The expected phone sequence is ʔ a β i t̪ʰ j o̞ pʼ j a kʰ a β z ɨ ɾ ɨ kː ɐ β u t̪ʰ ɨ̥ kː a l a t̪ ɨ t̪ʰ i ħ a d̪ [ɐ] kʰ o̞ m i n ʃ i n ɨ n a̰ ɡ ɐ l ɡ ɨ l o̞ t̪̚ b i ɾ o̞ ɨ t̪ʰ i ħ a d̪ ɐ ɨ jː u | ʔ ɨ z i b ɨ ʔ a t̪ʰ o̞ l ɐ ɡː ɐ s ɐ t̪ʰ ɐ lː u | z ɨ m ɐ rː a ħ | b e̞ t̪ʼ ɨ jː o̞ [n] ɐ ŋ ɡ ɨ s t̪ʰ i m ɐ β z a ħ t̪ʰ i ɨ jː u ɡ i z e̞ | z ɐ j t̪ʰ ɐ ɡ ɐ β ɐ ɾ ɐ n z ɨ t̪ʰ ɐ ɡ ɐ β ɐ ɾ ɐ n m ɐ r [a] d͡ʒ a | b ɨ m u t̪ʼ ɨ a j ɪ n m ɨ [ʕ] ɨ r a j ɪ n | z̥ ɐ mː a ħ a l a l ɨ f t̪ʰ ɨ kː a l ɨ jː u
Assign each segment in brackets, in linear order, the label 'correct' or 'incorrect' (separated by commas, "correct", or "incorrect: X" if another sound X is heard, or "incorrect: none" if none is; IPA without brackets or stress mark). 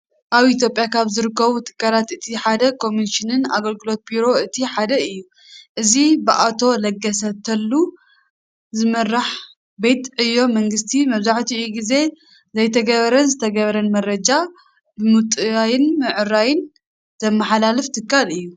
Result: correct, incorrect: m, incorrect: ɐ, correct